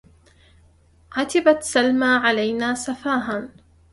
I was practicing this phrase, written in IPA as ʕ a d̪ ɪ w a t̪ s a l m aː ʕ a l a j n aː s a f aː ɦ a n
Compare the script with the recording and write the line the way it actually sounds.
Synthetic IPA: ʕ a t̪ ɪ b a t̪ s a l m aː ʕ a l a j n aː s a f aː ɦ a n